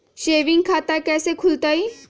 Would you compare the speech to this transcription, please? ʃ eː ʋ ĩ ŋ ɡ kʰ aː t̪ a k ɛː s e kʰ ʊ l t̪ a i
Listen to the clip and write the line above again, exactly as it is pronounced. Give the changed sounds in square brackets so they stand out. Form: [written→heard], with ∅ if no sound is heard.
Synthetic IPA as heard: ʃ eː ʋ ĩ ŋ ɡ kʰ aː t̪ a k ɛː s e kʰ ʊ l t̪ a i